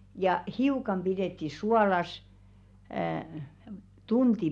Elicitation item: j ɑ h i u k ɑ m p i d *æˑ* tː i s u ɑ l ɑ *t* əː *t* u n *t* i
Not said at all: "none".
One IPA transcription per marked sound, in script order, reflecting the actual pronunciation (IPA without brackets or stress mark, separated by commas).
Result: eˑ, s, t, t